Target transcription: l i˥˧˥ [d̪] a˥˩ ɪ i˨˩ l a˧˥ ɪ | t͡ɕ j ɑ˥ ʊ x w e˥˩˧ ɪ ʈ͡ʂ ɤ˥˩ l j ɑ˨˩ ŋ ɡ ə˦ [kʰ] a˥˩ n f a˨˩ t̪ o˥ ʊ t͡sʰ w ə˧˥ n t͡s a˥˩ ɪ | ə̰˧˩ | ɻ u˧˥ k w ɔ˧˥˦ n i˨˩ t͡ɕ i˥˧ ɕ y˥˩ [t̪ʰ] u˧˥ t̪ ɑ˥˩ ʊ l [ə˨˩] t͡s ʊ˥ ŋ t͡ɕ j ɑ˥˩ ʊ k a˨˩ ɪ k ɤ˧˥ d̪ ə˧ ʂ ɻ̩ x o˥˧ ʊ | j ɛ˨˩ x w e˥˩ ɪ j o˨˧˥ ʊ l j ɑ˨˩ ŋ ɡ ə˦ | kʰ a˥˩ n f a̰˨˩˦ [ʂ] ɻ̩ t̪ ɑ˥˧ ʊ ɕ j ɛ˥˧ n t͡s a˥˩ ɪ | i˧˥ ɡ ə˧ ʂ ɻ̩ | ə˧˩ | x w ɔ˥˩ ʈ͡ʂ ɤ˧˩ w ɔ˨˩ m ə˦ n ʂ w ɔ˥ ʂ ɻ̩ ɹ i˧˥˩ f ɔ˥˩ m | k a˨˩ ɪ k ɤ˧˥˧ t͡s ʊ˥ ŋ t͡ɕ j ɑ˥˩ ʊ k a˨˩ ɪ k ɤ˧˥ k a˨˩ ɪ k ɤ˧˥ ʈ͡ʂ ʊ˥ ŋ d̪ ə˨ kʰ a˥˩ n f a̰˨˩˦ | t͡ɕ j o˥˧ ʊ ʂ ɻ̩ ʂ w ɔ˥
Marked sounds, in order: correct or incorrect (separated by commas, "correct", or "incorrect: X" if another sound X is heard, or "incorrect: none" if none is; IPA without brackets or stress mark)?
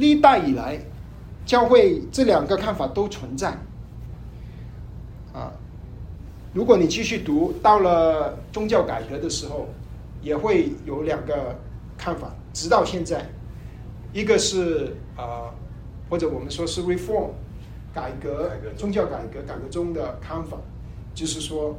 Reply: incorrect: t̪, correct, incorrect: t̪, correct, incorrect: ʈ͡ʂ